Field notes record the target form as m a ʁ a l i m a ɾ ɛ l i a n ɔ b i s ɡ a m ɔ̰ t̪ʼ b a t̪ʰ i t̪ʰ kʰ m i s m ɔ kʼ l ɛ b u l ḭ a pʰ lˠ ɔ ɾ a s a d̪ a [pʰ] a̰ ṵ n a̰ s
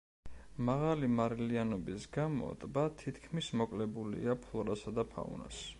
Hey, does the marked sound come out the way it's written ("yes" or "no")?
yes